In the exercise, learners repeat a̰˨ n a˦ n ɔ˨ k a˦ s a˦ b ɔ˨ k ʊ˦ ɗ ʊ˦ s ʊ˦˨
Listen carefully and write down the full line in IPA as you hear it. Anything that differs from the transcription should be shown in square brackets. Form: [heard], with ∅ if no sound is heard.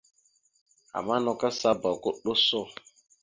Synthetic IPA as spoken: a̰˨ [m] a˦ n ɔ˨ k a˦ s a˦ b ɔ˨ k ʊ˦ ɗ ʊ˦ s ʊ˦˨